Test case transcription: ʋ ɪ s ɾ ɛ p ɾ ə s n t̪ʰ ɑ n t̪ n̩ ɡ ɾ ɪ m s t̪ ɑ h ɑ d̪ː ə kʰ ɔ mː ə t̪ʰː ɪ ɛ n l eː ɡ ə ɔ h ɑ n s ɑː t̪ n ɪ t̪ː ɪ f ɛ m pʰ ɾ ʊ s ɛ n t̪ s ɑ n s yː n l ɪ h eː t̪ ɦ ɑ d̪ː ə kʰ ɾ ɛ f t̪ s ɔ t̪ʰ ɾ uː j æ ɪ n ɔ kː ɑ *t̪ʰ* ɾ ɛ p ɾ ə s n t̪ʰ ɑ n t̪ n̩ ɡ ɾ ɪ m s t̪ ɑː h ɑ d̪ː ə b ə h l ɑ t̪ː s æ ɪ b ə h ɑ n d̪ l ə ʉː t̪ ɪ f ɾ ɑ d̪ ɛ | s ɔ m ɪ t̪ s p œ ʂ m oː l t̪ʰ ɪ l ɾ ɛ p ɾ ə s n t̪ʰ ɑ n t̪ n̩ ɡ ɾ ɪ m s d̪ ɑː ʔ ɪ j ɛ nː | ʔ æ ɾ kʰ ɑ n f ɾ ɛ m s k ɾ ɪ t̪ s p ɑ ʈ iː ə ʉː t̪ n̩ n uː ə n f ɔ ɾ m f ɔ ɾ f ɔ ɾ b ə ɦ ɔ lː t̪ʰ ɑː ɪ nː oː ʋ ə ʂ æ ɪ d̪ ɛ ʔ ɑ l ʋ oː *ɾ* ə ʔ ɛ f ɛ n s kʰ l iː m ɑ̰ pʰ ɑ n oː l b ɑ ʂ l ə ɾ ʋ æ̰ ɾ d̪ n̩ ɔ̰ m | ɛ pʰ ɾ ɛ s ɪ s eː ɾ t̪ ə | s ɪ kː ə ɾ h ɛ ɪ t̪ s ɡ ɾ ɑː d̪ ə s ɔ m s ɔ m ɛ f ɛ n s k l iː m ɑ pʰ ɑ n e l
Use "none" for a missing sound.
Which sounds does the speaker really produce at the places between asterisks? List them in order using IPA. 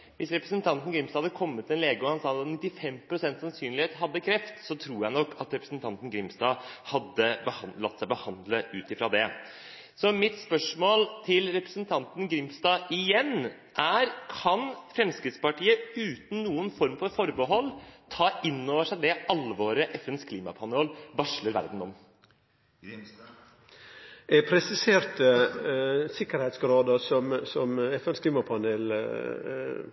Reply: t̪, ɾ

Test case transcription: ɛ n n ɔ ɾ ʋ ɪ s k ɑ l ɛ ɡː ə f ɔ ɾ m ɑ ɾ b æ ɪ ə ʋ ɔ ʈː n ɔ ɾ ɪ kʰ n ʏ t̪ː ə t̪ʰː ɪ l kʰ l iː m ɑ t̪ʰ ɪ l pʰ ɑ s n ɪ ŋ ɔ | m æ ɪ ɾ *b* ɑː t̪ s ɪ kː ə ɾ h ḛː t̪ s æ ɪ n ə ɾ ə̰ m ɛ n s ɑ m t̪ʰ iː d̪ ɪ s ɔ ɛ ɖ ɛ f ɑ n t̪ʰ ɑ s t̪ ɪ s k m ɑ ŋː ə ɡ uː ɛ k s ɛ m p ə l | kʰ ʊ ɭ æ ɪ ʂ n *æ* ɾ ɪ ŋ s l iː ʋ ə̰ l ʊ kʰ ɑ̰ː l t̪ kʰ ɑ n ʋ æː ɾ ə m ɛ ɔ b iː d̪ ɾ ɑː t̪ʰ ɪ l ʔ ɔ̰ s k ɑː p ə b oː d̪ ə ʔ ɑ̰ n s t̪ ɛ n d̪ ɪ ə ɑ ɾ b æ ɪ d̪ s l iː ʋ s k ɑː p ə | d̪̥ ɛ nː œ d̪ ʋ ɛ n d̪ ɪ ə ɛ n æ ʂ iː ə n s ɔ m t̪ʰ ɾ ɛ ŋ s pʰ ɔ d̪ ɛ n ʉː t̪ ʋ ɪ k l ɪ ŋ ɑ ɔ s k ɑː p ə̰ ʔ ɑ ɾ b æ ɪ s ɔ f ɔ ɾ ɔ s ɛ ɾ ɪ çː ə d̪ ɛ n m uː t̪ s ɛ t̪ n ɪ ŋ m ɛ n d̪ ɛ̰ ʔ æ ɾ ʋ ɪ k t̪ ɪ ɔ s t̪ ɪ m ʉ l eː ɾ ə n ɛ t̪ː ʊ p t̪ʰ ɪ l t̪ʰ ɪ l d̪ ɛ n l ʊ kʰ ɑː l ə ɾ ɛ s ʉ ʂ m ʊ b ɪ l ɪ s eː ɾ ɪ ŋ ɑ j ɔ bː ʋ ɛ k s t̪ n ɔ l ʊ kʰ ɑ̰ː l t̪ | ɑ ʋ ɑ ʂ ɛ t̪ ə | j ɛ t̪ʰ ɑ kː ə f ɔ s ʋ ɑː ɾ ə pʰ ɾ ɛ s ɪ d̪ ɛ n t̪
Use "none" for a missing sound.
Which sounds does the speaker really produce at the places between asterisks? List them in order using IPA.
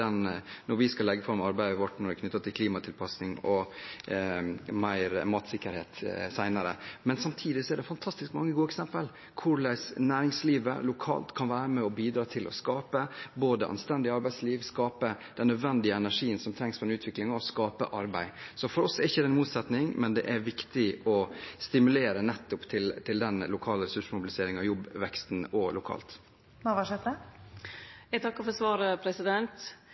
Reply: m, æː

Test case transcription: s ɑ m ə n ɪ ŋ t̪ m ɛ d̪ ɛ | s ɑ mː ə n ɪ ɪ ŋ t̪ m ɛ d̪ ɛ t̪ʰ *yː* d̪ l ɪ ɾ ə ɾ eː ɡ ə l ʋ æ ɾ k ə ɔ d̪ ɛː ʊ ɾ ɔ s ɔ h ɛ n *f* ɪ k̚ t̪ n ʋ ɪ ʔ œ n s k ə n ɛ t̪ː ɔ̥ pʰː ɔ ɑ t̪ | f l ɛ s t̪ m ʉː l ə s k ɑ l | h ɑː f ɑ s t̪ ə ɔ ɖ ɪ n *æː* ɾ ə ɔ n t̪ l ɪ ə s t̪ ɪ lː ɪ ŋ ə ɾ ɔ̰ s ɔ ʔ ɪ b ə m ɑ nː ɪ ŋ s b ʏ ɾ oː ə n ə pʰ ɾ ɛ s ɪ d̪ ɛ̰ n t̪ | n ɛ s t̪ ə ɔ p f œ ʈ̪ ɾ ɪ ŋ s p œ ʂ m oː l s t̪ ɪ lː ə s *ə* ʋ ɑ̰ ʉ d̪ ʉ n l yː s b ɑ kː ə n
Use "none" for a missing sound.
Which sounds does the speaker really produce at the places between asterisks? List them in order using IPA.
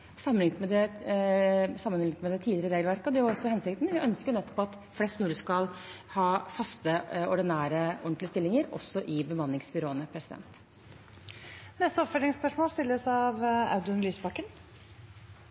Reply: iː, s, æː, ɑ

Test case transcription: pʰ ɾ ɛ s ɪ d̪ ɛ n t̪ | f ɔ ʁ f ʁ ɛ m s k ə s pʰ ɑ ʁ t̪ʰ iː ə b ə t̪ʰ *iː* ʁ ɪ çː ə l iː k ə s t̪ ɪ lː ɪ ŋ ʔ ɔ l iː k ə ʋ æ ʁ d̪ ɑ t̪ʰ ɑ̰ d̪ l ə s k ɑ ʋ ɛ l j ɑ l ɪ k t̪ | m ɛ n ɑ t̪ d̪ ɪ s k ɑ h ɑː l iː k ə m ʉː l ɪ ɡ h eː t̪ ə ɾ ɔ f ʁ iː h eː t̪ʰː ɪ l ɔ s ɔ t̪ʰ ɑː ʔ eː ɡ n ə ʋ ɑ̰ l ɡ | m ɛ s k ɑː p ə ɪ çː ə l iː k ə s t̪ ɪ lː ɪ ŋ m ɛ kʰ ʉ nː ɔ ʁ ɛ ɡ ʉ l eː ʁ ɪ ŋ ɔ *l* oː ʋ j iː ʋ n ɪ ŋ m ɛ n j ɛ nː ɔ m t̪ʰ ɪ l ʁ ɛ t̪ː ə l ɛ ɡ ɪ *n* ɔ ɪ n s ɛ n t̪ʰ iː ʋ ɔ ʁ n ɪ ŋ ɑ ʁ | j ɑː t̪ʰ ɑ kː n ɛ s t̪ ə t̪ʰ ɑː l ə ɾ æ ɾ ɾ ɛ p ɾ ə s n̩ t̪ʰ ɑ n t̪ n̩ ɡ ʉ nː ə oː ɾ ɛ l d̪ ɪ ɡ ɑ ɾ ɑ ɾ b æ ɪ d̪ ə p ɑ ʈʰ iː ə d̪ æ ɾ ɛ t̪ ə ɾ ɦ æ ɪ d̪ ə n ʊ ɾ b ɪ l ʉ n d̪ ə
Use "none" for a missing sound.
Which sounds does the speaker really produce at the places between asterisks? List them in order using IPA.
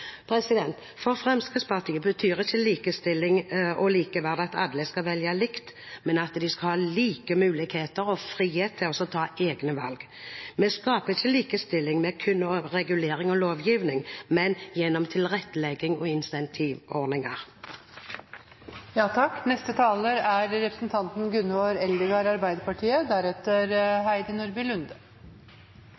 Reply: yː, l, ŋ

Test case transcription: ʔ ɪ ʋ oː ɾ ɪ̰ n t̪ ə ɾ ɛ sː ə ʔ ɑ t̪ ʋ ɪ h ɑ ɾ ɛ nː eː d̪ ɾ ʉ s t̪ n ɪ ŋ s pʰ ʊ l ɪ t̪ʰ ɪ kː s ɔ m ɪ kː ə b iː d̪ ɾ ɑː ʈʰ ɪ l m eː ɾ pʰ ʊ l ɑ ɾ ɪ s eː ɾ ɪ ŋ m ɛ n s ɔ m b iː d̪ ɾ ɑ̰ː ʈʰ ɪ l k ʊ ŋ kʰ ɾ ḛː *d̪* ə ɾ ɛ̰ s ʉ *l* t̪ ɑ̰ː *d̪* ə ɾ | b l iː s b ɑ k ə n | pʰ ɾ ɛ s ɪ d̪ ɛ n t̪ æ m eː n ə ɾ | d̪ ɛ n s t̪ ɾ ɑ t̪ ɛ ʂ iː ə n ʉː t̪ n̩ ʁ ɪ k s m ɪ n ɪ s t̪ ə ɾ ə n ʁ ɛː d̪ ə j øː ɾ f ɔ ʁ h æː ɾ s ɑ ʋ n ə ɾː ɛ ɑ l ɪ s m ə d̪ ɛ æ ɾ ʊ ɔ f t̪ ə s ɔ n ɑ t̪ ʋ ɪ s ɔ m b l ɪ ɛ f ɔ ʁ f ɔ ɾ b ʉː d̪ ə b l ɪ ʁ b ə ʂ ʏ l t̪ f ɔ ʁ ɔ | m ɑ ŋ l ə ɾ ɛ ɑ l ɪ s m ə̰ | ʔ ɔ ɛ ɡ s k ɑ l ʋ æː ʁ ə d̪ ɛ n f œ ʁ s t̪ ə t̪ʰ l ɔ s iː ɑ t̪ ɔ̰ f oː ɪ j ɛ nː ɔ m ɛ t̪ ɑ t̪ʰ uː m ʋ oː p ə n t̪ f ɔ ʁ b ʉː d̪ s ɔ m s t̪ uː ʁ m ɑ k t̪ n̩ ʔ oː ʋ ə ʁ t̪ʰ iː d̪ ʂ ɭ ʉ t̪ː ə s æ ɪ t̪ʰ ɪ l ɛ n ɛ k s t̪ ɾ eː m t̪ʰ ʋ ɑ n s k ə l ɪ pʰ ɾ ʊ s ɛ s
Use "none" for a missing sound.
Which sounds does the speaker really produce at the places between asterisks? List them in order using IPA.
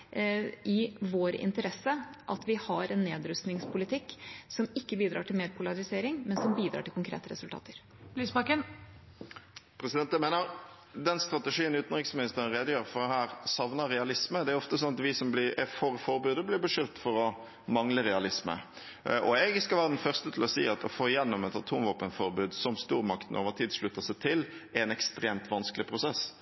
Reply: t̪, l, t̪

